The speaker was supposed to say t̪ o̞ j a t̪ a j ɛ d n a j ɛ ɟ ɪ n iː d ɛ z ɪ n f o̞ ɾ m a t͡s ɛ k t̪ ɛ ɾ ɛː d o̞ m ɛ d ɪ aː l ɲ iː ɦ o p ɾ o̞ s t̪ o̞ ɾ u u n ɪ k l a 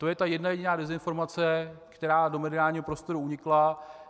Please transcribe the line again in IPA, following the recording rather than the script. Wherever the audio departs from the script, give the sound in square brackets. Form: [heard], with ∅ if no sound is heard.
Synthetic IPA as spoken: t̪ o̞ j [ɛ] t̪ a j ɛ d n a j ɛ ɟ ɪ n [aː] d ɛ z ɪ n f o̞ ɾ m a t͡s ɛ k t̪ ɛ ɾ [aː] d o̞ m ɛ d ɪ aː l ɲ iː ɦ o p ɾ o̞ s t̪ o̞ ɾ u u [ɲ] ɪ k l a